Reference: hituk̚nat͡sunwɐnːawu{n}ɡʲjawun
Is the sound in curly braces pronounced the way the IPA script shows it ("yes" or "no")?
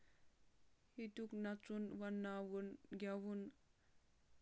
yes